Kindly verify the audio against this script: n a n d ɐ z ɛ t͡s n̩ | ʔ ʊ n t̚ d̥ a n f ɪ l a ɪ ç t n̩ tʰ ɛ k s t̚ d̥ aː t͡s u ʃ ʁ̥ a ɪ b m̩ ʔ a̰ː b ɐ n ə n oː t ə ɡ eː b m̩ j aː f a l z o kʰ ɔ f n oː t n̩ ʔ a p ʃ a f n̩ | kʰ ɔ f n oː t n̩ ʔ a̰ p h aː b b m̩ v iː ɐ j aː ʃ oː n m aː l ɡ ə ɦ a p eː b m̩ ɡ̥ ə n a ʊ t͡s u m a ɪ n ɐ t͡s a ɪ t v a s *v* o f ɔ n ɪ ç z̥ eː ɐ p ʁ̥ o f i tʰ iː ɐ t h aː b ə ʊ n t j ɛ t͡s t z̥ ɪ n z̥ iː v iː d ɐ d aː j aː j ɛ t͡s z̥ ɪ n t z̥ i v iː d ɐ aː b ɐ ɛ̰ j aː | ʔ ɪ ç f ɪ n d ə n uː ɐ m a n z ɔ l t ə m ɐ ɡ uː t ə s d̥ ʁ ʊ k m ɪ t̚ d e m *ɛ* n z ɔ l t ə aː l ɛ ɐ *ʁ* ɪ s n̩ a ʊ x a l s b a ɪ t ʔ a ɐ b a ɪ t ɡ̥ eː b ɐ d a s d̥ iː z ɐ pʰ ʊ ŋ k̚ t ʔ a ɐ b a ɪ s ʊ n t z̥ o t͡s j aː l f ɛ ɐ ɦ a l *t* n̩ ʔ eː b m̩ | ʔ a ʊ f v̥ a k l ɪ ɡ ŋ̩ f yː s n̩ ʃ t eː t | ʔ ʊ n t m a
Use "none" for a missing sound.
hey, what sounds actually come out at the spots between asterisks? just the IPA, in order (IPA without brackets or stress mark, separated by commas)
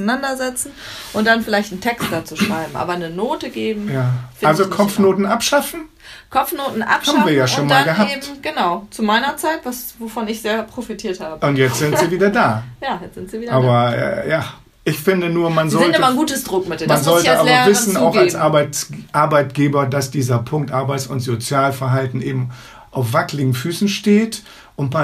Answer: v, a, v, t